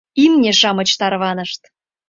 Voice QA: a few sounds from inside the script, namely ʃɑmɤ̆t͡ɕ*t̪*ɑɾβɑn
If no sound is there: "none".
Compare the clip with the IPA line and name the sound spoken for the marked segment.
t̪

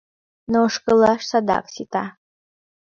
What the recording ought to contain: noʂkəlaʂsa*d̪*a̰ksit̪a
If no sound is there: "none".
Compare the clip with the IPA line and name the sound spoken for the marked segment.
d̪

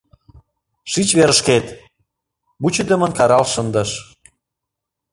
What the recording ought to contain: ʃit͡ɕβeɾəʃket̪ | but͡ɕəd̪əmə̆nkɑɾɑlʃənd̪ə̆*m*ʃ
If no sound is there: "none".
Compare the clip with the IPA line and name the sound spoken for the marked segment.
none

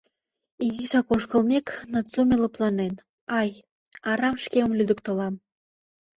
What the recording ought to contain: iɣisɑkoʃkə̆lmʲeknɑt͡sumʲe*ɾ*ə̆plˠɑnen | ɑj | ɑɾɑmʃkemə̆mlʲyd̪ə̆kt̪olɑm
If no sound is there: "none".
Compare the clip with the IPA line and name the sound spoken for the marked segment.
l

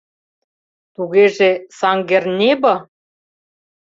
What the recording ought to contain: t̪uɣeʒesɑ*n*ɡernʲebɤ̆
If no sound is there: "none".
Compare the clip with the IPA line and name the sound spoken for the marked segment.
ŋ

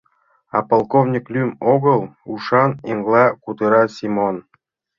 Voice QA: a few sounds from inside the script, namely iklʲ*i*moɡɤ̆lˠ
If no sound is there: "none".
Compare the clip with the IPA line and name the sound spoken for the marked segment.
y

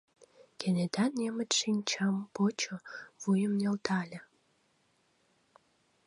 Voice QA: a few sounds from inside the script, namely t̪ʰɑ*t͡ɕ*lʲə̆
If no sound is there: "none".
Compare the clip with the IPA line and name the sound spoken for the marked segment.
none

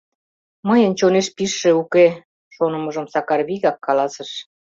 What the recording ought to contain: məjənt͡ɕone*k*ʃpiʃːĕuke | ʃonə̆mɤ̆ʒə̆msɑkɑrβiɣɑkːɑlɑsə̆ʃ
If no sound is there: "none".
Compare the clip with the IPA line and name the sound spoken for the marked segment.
none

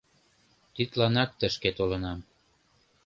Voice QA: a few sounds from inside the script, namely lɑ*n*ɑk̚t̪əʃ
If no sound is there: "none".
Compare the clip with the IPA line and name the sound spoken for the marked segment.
n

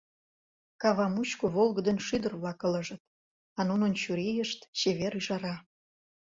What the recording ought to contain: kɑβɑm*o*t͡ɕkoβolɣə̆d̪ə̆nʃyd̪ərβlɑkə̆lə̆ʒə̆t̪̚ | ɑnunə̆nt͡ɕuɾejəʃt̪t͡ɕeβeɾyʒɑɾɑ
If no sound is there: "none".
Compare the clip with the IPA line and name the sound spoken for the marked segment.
u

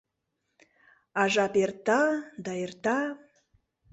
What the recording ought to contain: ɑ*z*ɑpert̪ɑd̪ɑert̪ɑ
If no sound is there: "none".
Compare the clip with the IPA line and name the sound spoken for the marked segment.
ʒ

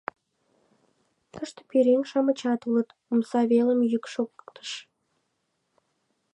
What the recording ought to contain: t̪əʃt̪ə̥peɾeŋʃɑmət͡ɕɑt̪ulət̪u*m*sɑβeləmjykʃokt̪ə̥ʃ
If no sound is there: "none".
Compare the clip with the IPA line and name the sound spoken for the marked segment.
m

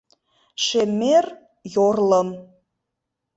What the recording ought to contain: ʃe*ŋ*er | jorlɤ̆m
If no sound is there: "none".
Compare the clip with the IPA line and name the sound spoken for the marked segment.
m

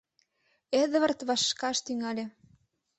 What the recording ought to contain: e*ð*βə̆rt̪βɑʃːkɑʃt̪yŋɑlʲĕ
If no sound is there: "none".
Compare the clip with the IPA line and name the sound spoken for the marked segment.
ð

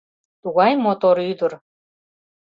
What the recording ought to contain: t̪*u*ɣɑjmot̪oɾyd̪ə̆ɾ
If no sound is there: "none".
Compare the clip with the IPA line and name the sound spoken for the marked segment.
u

